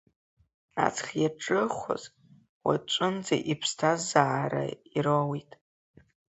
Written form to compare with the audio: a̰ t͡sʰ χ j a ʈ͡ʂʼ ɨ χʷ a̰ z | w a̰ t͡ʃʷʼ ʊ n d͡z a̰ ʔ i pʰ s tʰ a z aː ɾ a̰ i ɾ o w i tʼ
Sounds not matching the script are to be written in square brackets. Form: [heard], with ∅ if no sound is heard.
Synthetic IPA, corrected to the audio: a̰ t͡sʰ χ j a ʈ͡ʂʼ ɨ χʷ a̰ z | w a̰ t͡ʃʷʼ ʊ n d͡z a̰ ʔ i pʰ s tʰ a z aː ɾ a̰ i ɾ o w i tʼ